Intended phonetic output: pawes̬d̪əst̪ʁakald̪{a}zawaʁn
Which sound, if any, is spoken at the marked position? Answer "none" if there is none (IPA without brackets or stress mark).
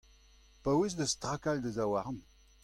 ə